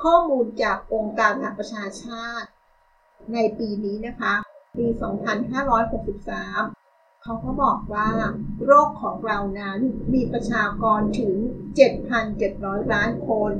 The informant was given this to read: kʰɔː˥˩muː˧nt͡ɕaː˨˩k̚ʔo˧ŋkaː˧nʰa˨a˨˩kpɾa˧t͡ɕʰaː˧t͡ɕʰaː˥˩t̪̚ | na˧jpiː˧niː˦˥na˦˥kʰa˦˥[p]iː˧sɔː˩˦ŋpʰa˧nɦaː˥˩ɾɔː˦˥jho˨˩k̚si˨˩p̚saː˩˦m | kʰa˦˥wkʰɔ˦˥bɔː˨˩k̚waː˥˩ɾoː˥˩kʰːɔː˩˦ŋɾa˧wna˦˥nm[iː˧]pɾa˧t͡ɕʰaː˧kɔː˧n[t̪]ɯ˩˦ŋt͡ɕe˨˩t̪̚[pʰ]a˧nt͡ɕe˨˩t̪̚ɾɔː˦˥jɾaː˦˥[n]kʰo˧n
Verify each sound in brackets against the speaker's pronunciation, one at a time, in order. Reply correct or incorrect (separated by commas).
correct, correct, incorrect, correct, correct